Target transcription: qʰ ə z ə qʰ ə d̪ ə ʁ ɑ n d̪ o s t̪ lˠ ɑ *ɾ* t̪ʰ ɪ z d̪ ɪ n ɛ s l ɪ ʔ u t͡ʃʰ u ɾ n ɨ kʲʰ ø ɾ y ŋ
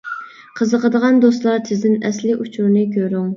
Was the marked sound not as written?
no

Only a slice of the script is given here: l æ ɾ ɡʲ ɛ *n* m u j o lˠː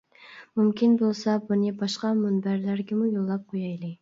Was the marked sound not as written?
yes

